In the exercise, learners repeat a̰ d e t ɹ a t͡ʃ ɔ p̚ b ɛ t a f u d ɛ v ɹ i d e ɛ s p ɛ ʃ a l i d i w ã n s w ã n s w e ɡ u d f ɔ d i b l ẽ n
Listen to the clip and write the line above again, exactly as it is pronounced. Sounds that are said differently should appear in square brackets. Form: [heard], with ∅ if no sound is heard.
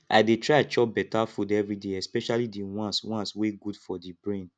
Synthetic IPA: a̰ d e t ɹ a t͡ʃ ɔ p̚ b ɛ t a f u d ɛ v ɹ i d e ɛ s p ɛ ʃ a l i d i w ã n s w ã n s w e ɡ u d f ɔ d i b [ɹ] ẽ n

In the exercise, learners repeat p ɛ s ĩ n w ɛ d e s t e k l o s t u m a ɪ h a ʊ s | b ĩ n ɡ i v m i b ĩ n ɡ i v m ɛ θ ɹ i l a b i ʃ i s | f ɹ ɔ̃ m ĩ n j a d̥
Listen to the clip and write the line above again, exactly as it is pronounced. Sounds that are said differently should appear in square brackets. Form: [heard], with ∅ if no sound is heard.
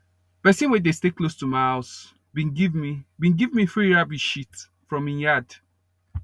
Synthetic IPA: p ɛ s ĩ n w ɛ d e s t e k l o s t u m a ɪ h a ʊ s | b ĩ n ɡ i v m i b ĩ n ɡ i v m [i] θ ɹ i [ɹ] a b i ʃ i [t] | f ɹ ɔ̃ m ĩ n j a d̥

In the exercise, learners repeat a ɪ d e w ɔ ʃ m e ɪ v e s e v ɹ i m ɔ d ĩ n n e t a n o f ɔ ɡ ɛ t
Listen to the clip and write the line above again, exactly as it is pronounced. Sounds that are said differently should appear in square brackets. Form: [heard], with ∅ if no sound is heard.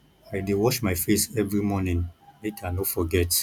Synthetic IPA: a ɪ d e w ɔ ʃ m [a] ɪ [f] e s [ɛ] v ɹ i m ɔ [n] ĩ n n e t a n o f ɔ ɡ ɛ t

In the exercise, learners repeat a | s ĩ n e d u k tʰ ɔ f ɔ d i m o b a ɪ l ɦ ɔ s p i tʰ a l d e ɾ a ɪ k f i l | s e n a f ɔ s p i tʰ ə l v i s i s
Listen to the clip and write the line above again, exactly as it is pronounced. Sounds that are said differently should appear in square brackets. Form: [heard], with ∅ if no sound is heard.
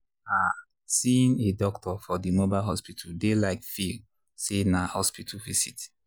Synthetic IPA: a | s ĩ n e d [ɔ] k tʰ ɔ f ɔ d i m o b a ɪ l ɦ ɔ s p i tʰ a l d e [l] a ɪ k f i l | s e n a [h] ɔ s p i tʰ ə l v i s i [t]

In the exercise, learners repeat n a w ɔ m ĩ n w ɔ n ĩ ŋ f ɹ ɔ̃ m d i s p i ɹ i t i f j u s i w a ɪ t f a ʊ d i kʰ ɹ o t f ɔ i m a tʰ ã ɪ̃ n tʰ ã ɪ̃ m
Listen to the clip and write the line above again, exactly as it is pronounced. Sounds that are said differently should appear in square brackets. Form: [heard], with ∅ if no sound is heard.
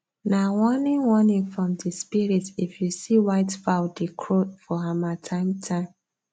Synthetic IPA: n a w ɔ [n] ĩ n w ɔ n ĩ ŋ f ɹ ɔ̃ m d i s p i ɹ i t i f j u s i w a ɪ t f a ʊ d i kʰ ɹ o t f ɔ [a] m a tʰ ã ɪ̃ [m] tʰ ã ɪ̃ m

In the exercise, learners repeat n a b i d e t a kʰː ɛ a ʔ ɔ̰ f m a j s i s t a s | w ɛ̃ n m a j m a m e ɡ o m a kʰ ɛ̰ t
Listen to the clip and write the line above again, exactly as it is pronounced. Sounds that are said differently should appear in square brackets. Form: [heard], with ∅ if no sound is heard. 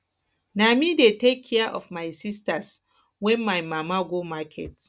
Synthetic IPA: n a [m] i d e t [e] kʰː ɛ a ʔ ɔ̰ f m a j s i s t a s | w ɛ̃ n m a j m a m [a] ɡ o m a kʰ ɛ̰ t

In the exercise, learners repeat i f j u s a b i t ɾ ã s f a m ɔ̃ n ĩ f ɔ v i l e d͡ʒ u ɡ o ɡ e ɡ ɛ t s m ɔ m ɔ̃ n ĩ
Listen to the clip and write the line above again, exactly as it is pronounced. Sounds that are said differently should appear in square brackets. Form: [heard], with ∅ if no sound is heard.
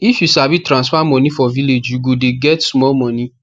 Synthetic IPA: i f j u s a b i t ɾ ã s f a m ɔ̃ n ĩ f ɔ v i l e d͡ʒ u ɡ o [d] e ɡ ɛ t s m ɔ m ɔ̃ n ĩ

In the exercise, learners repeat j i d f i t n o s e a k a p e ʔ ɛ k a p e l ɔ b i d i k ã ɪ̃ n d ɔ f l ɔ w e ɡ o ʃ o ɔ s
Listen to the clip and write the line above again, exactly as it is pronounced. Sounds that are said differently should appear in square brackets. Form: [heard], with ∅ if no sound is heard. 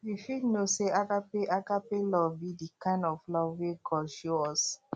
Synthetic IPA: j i [∅] f i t n o s e a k a p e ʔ [a] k a p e l ɔ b i d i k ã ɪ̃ n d ɔ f l ɔ w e ɡ [ɔ] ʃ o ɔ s

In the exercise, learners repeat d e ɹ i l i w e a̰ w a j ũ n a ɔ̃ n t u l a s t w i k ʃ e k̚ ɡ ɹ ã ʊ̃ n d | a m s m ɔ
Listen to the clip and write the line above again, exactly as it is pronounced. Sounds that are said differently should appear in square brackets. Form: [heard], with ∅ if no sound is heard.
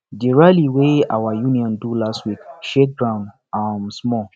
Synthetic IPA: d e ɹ [a] l i w e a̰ w a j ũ n [i] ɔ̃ n [d] u l a s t w i k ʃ e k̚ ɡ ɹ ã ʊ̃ n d | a m s m ɔ

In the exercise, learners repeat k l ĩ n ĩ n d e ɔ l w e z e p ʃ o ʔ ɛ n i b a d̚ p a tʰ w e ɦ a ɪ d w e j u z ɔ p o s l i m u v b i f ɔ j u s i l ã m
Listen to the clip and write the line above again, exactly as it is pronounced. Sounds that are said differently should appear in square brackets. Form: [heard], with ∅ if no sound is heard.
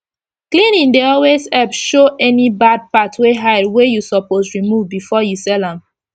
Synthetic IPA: k l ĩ n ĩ n d e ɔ l w e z [ɛ] p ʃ o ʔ ɛ n i b a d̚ p a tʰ w e ɦ a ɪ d w e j u [s] ɔ p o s [ɹ] i m u v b i f ɔ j u s [ɛ] l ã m

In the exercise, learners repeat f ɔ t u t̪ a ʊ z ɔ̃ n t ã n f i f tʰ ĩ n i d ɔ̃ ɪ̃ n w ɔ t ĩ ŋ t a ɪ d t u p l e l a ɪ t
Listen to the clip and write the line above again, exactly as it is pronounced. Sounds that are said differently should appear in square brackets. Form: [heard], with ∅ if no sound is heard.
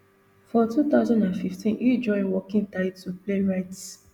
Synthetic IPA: f ɔ t u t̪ a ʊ z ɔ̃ n [d] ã n f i f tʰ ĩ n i [d͡ʒ] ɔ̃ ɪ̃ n w ɔ [k] ĩ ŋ t a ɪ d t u p l e [ɹ] a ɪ t

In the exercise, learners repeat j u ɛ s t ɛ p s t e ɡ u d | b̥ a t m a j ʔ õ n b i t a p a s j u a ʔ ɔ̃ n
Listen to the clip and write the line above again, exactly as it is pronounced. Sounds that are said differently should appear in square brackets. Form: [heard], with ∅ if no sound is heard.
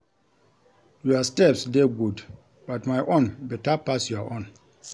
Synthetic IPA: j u [a] s t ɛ p s [d] e ɡ u d | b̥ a t m a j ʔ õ n b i t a p a s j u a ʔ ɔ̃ n

